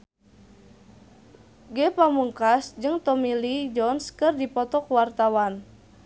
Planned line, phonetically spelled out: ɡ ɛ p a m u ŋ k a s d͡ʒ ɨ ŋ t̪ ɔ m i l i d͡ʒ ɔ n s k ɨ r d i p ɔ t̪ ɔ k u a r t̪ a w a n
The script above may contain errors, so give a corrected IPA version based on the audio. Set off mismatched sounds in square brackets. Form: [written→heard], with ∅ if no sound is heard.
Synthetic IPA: ɡ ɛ p a m u ŋ k a s d͡ʒ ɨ ŋ t̪ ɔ m i l i d͡ʒ ɔ n s k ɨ r d i p ɔ t̪ ɔ k [u→w] a r t̪ a w a n